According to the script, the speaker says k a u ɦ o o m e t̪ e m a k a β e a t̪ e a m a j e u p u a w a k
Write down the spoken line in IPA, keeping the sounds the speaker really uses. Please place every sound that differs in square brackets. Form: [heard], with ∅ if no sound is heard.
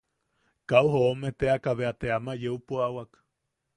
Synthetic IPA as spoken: k a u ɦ o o m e t̪ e [∅] a k a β e a t̪ e a m a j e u p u a w a k